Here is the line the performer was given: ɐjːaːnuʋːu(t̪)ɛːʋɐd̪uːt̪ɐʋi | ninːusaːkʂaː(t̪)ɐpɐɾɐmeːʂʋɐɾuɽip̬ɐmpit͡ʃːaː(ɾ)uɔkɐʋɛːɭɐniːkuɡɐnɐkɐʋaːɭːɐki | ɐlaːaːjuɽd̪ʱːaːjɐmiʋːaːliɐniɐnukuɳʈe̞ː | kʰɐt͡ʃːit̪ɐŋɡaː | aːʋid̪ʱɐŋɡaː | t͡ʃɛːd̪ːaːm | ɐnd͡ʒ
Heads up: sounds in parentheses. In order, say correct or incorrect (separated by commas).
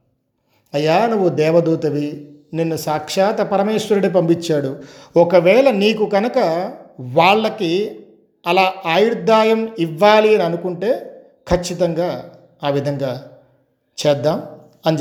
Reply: incorrect, correct, incorrect